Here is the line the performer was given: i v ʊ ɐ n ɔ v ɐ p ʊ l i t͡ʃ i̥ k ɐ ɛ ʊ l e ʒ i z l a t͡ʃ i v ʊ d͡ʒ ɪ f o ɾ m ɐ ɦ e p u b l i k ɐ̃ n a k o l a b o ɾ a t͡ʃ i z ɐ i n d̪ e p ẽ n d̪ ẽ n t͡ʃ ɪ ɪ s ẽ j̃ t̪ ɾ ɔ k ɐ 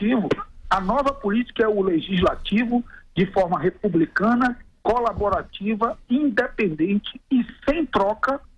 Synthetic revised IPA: i v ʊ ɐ n ɔ v ɐ p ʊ l i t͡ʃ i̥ k ɐ ɛ ʊ l e ʒ i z l a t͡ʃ i v ʊ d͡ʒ ɪ f ɔ ɾ m ɐ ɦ e p u b l i k ɐ̃ n ɐ k o l a b o ɾ a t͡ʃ i v ɐ ĩ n d̪ e p ẽ n d̪ ẽ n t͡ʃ ɪ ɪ s ẽ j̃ t̪ ɾ ɔ k ɐ

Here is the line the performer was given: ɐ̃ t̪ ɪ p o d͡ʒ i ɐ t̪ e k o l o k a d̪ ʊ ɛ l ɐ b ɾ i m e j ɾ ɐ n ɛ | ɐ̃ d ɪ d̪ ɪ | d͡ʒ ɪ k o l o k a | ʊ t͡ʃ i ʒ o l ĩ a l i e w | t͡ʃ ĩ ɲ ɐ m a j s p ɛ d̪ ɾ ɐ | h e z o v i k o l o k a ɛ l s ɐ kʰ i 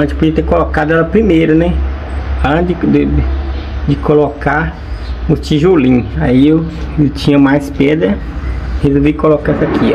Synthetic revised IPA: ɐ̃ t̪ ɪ p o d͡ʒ i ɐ t̪ e k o l o k a d̪ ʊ ɛ l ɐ p ɾ i m e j ɾ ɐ n ɛ | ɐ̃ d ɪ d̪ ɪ | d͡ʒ ɪ k o l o k a | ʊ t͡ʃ i ʒ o l ĩ a i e w | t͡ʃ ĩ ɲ ɐ m a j s p ɛ d̪ ɾ ɐ | h e z o v i k o l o k a ɛ s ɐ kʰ i

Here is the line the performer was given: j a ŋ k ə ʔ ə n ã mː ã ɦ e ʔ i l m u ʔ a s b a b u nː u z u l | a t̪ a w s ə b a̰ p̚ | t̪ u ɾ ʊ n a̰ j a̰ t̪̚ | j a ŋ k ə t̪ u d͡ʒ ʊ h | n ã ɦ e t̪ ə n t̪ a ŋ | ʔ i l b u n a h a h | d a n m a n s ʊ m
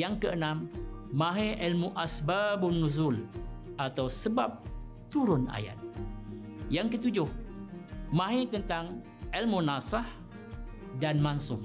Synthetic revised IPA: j a ŋ k ə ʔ ə n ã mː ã ɦ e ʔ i l m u ʔ a s b a b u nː u z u l | a t̪ a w s ə b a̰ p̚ | t̪ u ɾ ʊ n a̰ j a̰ t̪̚ | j a ŋ k ə t̪ u d͡ʒ ʊ h | m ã ɦ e t̪ ə n t̪ a ŋ | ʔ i l m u n a s a h | d a n m a n s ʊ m

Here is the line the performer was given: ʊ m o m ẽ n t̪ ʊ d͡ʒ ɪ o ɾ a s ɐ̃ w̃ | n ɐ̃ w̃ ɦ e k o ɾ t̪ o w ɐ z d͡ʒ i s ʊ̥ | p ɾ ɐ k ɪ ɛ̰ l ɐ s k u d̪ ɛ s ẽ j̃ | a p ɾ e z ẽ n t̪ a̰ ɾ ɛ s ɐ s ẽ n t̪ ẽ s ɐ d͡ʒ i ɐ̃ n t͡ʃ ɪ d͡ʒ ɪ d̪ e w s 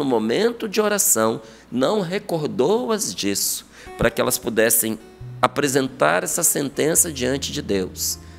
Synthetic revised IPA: ʊ m o m ẽ n t̪ ʊ d͡ʒ ɪ o ɾ a s ɐ̃ w̃ | n ɐ̃ w̃ ɦ e k o ɾ d̪ o w ɐ z d͡ʒ i s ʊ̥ | p ɾ ɐ k ɪ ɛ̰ l ɐ s p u d̪ ɛ s ẽ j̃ | a p ɾ e z ẽ n t̪ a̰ ɾ ɛ s ɐ s ẽ n t̪ ẽ s ɐ d͡ʒ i ɐ̃ n t͡ʃ ɪ d͡ʒ ɪ d̪ e w s

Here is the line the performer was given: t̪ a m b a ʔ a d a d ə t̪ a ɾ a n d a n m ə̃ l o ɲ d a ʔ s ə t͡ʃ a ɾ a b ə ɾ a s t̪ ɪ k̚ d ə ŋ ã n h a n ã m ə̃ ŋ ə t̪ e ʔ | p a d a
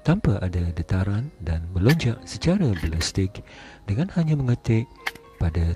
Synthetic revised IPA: t̪ a m p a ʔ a d a d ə t̪ a ɾ a n d a n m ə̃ l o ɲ d͡ʒ a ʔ s ə t͡ʃ a ɾ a b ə l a s t̪ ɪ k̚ d ə ŋ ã n h a ɲ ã m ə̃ ŋ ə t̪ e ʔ | p a d a

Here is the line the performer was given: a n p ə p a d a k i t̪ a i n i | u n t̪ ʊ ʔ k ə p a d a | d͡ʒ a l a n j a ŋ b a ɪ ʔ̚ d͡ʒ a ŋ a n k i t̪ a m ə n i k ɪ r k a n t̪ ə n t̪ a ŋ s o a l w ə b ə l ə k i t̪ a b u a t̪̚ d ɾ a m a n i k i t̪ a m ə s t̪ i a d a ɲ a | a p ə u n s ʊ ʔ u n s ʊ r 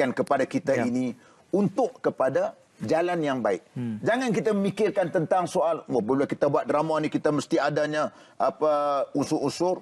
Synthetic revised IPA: a n k ə p a d a k i t̪ a i n i | u n t̪ ʊ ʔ k ə p a d a | d͡ʒ a l a n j a ŋ b a ɪ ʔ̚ d͡ʒ a ŋ a n k i t̪ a m ə m i k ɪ r k a n t̪ ə n t̪ a ŋ s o a l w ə b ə l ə k i t̪ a b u a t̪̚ d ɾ a m a n i k i t̪ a m ə s t̪ i a d a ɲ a | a p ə u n s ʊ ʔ u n s ʊ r

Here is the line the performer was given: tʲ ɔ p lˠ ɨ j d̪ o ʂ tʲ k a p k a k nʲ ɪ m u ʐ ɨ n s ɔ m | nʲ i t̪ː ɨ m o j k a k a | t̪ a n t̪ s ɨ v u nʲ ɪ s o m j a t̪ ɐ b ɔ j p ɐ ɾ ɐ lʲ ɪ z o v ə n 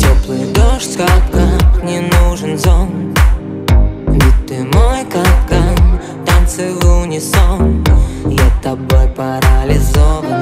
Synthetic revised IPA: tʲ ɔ p lˠ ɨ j d̪ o ʂ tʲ k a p k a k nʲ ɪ n u ʐ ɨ n z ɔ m | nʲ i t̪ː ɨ m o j k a k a | t̪ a n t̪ s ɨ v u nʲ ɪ s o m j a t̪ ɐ b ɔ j p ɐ ɾ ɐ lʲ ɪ z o v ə n

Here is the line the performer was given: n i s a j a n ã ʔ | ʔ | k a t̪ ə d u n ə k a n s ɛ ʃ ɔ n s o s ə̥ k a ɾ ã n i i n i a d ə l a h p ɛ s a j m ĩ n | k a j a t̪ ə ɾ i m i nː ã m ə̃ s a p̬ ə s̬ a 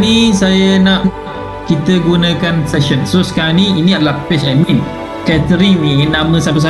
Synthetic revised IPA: n i s a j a n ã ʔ | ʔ | k i t̪ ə ɡ u n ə k a n s ɛ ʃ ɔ n s o s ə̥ k a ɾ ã n i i n i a d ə l a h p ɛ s a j m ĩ n | k a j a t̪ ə ɾ i m i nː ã m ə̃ s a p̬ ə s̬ a

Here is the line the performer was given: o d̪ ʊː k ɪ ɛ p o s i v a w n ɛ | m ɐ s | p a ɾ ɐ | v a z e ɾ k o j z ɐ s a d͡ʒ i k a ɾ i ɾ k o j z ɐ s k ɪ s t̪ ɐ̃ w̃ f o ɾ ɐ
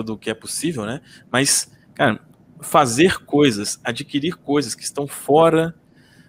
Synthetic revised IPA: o d̪ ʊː k ɪ ɛ p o s i v e w n ɛ | m ɐ s | k a ɾ ɐ | f a z e ɾ k o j z ɐ s a d͡ʒ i k i ɾ i ɾ k o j z ɐ s k ɪ s t̪ ɐ̃ w̃ f ɔ ɾ ɐ

